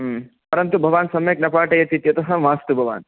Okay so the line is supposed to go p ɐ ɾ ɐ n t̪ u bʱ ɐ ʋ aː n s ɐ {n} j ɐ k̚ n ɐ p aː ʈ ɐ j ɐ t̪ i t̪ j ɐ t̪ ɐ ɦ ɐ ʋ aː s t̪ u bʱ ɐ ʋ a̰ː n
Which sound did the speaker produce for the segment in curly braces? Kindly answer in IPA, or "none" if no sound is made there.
m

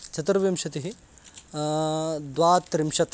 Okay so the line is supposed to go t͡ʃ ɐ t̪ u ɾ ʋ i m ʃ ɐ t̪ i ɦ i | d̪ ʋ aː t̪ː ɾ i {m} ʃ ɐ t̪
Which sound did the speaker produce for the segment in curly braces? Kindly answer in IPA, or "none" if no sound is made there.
m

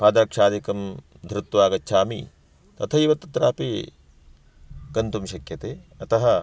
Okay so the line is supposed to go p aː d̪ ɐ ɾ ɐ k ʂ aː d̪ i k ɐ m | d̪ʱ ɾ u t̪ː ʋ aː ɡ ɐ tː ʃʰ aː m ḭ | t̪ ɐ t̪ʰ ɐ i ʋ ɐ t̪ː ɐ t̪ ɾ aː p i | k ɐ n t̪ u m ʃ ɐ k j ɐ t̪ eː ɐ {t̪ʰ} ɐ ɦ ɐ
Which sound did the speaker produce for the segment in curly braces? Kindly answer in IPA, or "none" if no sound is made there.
t̪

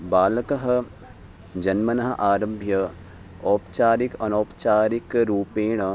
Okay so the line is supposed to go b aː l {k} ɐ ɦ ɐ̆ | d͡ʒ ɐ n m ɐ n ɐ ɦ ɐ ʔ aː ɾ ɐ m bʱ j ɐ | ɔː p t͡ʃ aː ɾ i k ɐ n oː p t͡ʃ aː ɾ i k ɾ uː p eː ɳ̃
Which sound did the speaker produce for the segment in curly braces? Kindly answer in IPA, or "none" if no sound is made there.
k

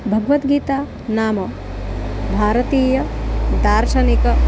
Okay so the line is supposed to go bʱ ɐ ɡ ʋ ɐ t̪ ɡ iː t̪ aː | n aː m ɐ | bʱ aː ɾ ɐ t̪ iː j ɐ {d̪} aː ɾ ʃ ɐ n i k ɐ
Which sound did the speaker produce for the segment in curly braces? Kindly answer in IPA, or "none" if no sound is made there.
d̪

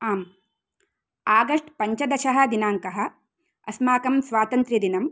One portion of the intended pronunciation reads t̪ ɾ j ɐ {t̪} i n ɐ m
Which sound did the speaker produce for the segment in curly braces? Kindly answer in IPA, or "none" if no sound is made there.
d̪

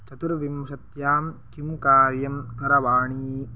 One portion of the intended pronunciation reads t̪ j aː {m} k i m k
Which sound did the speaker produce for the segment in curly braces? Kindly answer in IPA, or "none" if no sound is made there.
m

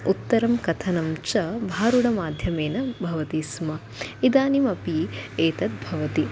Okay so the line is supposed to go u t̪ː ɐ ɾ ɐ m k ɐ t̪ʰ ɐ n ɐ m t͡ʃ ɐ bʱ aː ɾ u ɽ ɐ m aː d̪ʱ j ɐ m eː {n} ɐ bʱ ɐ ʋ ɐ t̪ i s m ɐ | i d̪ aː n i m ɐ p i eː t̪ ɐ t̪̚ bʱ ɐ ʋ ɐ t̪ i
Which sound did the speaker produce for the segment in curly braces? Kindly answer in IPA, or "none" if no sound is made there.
n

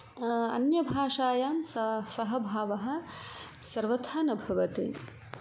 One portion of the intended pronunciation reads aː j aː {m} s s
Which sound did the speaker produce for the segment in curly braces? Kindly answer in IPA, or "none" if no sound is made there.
m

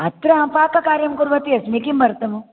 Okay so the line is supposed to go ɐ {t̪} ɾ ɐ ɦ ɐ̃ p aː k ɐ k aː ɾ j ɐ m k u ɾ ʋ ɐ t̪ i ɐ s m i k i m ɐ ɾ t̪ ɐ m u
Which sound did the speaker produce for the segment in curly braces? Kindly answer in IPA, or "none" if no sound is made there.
t̪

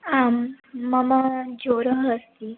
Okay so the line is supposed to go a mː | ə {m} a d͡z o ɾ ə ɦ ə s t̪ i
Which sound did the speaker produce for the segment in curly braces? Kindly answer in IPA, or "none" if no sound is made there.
m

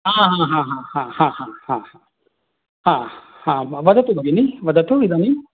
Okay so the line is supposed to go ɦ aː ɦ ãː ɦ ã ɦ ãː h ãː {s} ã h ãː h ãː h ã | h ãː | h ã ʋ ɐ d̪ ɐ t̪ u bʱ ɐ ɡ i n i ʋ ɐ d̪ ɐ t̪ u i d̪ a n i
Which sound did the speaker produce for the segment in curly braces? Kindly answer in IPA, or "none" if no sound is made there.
h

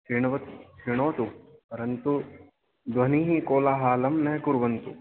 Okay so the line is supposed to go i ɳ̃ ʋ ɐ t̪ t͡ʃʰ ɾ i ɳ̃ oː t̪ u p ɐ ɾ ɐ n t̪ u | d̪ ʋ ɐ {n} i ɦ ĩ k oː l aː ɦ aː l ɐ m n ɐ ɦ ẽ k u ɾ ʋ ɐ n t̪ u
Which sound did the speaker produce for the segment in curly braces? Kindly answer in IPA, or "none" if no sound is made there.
n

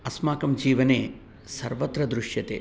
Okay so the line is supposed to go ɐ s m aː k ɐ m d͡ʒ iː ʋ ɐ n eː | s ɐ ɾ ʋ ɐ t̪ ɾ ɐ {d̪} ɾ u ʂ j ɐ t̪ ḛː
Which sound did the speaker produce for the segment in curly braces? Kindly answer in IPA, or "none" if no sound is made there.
d̪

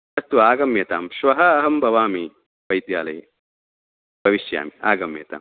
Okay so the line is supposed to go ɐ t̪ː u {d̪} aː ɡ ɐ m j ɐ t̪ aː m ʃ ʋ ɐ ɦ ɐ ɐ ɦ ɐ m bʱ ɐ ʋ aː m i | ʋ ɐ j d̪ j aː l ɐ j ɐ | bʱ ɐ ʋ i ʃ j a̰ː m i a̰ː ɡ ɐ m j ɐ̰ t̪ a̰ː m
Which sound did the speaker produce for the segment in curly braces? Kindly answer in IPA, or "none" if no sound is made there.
none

